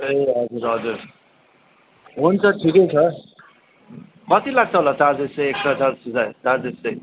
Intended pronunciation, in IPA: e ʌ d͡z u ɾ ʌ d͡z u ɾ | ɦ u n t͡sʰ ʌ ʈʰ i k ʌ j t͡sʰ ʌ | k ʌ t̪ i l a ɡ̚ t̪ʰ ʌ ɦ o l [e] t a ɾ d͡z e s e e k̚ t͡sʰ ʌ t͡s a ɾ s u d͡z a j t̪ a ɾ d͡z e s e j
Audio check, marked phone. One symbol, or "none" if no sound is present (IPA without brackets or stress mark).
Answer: a